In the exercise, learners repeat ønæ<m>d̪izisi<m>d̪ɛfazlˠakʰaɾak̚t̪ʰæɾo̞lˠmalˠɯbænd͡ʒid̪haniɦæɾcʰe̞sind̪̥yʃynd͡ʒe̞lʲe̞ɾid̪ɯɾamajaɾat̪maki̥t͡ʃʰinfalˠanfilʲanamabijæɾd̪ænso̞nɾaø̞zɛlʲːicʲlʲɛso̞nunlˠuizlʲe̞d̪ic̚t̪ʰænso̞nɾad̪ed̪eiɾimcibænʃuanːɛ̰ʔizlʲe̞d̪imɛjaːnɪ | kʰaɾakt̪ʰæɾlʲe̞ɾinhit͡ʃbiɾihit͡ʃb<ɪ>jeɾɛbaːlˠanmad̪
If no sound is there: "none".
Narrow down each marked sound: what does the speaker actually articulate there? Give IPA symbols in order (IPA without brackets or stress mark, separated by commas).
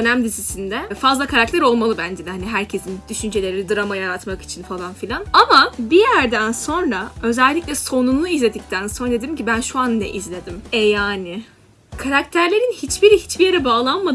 m, n, i